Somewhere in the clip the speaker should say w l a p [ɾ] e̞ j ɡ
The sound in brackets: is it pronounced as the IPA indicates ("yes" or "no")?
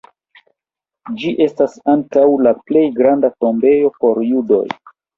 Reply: no